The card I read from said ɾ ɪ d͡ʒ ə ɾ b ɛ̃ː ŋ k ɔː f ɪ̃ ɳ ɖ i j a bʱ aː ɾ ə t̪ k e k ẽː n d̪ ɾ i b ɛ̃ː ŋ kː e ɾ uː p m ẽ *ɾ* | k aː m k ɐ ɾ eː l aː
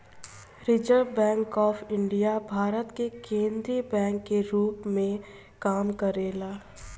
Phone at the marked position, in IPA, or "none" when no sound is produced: none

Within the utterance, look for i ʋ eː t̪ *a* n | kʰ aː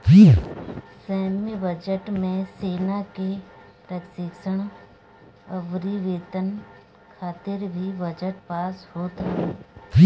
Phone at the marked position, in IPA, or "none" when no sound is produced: ə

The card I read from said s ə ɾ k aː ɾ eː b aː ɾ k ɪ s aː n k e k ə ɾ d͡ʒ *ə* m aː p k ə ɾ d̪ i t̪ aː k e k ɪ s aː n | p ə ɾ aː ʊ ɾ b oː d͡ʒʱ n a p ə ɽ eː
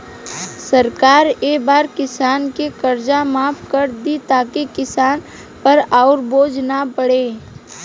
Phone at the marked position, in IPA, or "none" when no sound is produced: a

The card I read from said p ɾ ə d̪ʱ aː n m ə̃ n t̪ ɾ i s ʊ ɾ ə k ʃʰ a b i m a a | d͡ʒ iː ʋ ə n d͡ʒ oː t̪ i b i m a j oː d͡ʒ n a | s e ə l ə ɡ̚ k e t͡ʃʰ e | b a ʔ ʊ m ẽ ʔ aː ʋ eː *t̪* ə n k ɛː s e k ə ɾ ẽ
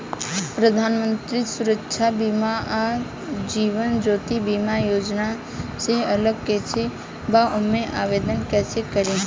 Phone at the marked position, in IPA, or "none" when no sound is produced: d̪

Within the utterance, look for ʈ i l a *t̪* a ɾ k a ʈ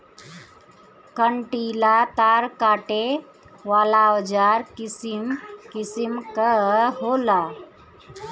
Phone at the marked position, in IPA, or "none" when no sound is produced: t̪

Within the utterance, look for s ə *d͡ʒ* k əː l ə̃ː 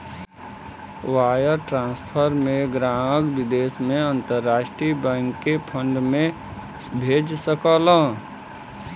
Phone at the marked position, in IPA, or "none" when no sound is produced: none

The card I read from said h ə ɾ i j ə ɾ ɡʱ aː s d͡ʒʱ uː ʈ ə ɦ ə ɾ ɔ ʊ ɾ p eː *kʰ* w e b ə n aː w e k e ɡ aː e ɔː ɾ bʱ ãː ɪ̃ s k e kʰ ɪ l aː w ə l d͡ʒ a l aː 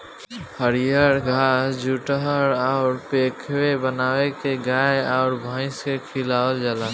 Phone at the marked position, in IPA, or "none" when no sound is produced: kʰ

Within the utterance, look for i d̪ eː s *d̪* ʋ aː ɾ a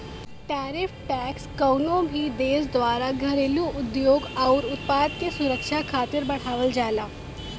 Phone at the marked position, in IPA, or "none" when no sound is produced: d̪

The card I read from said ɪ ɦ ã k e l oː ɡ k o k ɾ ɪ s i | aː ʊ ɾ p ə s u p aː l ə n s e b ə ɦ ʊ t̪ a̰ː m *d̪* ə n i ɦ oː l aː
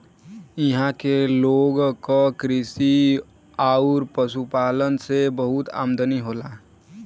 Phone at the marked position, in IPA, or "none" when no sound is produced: d̪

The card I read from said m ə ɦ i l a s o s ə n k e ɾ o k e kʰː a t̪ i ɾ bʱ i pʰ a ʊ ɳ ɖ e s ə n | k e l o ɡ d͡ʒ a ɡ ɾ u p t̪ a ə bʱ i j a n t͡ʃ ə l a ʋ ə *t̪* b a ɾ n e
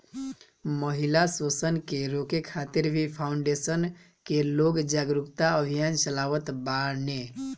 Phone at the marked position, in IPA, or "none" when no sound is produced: t̪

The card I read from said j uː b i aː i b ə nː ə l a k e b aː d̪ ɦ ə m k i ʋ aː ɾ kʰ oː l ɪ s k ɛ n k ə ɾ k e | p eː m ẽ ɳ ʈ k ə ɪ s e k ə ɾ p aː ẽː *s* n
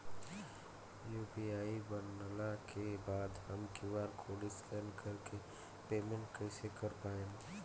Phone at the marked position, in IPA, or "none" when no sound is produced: none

